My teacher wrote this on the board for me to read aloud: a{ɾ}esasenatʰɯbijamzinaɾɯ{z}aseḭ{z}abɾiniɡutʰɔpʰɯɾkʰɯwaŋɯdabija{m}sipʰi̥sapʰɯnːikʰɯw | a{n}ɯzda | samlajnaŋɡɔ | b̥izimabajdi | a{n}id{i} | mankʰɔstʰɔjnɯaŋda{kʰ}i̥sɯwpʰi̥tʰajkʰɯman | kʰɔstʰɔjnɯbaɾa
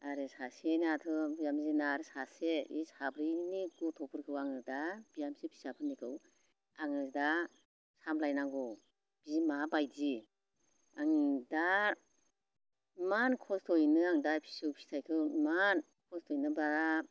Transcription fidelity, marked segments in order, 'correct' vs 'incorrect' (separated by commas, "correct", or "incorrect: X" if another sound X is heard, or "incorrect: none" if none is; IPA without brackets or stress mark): correct, incorrect: s, incorrect: s, correct, incorrect: ŋ, incorrect: ŋ, incorrect: a, incorrect: pʰ